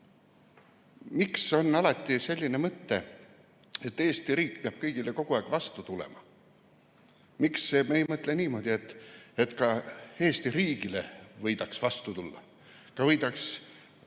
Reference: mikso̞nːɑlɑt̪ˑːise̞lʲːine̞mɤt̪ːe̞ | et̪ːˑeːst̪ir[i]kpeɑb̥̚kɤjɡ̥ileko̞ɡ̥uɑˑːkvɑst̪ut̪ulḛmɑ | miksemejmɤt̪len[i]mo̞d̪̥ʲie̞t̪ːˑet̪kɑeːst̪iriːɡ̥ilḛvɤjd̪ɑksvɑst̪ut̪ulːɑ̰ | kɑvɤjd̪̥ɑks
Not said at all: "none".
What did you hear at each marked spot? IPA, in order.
iː, iː

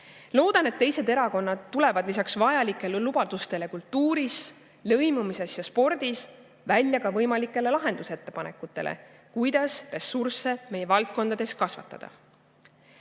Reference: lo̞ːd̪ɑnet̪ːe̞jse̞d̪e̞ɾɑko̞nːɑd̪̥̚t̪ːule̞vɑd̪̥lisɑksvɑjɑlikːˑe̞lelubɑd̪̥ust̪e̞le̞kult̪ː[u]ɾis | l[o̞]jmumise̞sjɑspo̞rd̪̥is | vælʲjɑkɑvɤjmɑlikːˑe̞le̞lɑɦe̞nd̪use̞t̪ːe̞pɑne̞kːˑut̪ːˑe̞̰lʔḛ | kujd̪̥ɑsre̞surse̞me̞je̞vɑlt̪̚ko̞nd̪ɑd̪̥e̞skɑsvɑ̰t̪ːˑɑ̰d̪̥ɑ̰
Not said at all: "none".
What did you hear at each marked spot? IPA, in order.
uː, ɤ̞

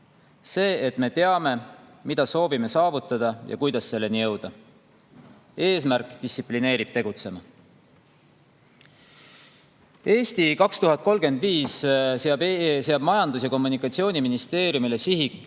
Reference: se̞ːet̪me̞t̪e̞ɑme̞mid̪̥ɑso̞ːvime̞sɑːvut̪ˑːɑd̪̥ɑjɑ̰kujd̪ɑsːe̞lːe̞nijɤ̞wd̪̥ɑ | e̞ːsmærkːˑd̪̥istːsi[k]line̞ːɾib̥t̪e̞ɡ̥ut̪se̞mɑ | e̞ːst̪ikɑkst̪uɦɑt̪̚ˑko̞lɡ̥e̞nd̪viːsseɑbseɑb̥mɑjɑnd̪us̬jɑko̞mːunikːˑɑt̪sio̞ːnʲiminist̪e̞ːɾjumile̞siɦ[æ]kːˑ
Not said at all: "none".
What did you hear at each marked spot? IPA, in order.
p, i

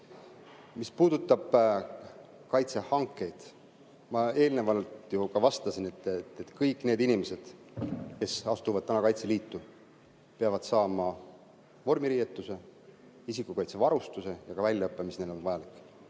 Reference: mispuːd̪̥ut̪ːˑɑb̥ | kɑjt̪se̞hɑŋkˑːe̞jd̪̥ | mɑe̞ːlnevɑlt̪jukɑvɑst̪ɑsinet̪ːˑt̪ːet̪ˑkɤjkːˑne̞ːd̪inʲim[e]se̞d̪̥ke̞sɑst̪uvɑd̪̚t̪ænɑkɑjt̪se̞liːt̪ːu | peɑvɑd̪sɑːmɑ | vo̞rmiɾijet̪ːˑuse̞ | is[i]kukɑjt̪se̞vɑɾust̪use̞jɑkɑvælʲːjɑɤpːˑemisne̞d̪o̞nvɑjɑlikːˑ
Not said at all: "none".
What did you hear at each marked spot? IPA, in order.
e, i

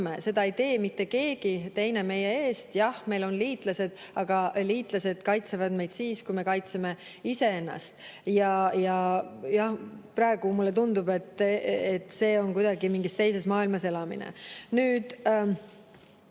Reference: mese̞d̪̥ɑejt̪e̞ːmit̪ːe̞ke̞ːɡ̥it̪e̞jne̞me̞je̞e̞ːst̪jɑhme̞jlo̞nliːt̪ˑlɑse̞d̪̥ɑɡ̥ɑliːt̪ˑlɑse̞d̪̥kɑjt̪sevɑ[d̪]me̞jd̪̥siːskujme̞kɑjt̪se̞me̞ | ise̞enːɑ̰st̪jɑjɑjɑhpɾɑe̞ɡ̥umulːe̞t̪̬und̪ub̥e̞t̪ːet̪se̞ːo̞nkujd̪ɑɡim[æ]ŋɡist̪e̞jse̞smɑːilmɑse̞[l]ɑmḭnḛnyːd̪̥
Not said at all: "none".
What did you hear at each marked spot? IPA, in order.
d̪, i, l

